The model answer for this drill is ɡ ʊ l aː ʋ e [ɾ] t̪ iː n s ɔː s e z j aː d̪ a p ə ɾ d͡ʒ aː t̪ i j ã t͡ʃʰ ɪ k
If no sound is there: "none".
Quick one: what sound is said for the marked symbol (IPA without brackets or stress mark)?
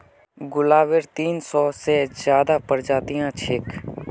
ɾ